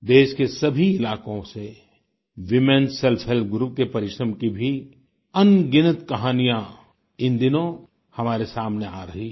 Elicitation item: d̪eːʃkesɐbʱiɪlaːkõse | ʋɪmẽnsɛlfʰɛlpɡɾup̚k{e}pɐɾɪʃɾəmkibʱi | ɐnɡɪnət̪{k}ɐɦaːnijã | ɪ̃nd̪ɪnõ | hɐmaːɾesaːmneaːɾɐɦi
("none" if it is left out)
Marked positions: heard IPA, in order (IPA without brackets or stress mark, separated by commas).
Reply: e, k